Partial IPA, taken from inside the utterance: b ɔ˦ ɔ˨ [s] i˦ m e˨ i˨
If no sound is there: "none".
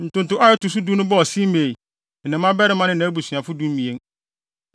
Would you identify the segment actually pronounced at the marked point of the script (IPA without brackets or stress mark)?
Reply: s